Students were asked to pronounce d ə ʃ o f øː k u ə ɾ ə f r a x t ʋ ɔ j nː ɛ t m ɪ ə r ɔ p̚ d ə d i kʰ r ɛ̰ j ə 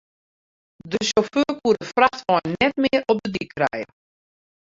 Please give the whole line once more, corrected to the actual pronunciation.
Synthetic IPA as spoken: d ə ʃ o f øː k u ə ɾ ə f r a x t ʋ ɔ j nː ɛ t m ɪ ə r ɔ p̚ d ə d i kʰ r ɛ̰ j ə